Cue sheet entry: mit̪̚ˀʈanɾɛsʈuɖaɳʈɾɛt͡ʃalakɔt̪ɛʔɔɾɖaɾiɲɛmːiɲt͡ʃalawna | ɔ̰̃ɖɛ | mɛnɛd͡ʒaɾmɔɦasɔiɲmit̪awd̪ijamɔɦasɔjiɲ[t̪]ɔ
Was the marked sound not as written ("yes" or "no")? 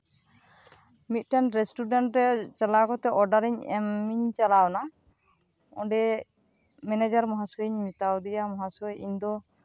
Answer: yes